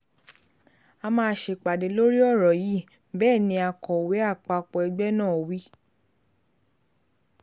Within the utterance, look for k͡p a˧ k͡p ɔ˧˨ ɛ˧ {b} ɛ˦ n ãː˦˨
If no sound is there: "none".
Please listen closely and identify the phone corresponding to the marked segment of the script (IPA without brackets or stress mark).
ɡ͡b